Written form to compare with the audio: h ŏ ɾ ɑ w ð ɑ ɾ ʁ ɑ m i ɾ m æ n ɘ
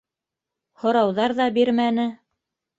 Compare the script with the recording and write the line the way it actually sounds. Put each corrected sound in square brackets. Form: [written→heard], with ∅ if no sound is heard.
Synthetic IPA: h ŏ ɾ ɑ w ð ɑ ɾ [ʁ→ð] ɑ [m→b] i ɾ m æ n ɘ

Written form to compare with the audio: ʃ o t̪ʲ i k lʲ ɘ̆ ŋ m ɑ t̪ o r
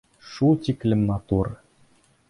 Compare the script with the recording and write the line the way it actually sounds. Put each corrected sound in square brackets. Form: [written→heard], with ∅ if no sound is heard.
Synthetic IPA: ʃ [o→u] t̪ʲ i k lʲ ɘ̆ [ŋ→m] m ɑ t̪ [o→u] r

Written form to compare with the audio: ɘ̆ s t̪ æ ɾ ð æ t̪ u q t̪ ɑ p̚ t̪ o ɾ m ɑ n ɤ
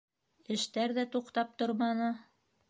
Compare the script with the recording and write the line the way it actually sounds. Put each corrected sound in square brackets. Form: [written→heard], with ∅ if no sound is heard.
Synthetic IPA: ɘ̆ [s→ʃ] t̪ æ ɾ ð æ t̪ u q t̪ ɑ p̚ t̪ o ɾ m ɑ n ɤ

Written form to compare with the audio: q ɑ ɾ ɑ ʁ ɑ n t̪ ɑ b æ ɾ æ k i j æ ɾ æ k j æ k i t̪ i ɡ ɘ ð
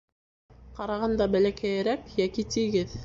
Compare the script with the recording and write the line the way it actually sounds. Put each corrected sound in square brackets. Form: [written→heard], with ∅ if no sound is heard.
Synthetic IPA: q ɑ ɾ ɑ ʁ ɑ n [t̪→d̪] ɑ b æ [ɾ→l] æ k [i→æ] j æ ɾ æ k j æ k i t̪ i ɡ ɘ ð

